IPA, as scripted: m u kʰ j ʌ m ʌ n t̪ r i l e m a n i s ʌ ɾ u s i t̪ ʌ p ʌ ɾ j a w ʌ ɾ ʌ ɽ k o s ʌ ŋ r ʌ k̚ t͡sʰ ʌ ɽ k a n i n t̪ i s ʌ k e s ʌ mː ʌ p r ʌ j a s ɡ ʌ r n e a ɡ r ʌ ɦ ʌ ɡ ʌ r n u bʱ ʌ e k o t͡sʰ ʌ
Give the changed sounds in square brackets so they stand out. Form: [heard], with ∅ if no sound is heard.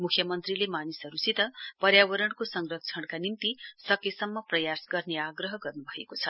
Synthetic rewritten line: m u kʰ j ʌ m ʌ n t̪ r i l e m a n i s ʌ ɾ u s i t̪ ʌ p ʌ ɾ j a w ʌ ɾ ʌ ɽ k o s ʌ ŋ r ʌ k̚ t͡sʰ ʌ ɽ k a n i n t̪ i s ʌ k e s ʌ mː ʌ p r ʌ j a s ɡ ʌ r n e a ɡ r ʌ ɦ ʌ ɡ ʌ r n u bʱ ʌ e k o t͡sʰ ʌ